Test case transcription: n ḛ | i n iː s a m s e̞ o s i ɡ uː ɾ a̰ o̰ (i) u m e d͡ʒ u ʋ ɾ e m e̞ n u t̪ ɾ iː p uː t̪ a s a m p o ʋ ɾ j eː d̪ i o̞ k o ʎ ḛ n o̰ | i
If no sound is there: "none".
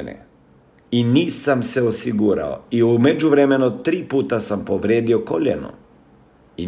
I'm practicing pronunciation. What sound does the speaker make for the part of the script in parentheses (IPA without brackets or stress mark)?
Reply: i